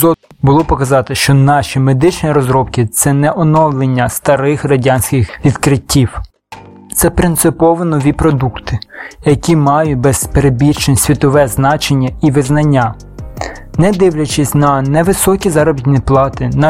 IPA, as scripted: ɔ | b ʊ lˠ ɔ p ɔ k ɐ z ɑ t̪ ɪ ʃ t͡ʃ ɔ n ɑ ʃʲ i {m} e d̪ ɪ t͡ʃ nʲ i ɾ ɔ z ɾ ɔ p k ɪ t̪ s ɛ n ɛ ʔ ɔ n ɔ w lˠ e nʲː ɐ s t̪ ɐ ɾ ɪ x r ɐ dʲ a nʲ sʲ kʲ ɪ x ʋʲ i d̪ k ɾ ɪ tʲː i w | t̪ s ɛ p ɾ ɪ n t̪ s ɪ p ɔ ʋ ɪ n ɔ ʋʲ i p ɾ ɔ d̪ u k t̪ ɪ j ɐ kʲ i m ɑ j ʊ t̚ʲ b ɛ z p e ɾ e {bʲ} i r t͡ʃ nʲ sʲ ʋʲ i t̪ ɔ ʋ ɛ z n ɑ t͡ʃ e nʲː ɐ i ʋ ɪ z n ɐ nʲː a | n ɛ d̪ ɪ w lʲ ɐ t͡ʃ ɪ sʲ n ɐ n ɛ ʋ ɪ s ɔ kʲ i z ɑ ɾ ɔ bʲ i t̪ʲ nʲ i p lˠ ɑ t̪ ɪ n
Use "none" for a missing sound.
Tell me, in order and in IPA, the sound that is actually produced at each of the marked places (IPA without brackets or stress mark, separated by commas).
m, bʲ